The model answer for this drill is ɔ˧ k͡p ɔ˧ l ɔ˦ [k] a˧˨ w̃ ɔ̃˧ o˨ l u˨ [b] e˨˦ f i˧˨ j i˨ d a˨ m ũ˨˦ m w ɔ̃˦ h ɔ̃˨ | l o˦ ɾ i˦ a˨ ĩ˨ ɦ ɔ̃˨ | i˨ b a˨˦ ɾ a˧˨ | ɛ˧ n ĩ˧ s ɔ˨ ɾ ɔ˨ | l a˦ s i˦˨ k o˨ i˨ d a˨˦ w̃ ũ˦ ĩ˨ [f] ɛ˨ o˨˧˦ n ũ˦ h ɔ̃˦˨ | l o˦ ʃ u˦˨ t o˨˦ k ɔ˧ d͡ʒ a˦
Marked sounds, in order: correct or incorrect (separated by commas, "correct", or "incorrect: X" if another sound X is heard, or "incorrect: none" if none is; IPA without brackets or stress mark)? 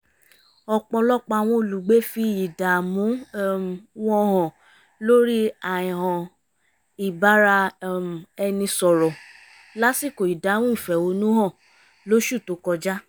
incorrect: k͡p, incorrect: ɡ͡b, correct